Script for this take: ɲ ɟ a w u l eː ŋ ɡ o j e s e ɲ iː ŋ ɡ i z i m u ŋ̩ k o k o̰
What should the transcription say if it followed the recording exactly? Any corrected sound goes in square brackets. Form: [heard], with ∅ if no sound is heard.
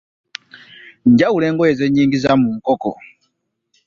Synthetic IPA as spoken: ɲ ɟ a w u l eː ŋ ɡ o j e [z] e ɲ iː ŋ ɡ i z [a] m u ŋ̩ k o k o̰